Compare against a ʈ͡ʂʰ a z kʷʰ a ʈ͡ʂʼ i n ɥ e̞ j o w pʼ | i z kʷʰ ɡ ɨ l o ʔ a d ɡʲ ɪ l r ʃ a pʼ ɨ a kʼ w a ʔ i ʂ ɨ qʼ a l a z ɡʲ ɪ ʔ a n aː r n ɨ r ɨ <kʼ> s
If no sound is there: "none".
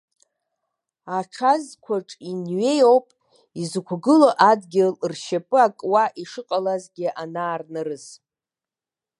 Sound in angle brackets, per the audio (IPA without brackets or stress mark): none